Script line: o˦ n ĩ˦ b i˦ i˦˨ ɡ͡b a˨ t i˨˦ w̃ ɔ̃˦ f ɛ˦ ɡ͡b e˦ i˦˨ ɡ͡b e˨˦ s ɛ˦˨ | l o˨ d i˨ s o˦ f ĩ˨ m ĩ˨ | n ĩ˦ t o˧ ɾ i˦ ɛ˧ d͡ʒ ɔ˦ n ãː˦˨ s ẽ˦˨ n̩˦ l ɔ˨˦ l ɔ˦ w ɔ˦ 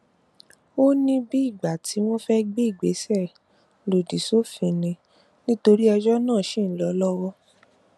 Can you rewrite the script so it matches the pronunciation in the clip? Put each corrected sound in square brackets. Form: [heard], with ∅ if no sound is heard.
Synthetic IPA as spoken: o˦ n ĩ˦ b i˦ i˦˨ ɡ͡b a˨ t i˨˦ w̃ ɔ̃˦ f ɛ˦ ɡ͡b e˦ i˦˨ ɡ͡b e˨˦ s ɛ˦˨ | l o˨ d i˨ s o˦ f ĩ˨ [n] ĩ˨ | n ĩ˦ t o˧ ɾ i˦ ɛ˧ d͡ʒ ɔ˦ n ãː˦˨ [ʃ] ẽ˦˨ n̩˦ l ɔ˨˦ l ɔ˦ w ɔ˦